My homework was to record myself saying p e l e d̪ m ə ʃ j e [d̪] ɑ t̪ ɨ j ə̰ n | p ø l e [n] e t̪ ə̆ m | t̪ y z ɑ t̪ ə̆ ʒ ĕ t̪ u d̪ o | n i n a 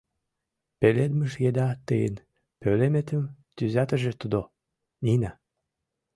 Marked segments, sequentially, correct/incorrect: correct, incorrect

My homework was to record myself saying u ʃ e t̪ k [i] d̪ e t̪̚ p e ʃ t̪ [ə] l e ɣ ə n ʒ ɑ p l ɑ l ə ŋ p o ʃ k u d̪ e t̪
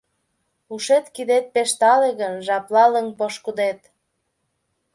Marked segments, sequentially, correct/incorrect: correct, incorrect

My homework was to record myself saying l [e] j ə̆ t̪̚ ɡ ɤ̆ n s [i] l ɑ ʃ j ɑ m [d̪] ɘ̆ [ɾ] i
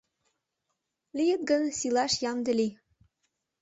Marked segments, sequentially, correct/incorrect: incorrect, correct, correct, incorrect

